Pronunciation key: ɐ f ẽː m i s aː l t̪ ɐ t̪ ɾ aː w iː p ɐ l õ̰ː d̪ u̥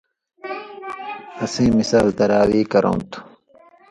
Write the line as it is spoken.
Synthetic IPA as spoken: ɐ s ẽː m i s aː l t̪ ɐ ɾ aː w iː k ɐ ɾ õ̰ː t̪ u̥